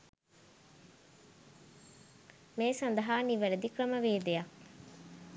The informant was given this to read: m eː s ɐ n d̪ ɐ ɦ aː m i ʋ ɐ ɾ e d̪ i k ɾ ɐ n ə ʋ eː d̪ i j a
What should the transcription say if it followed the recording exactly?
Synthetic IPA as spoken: m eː s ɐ n d̪ ɐ ɦ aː n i ʋ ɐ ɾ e d̪ i k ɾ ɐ m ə ʋ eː d̪ e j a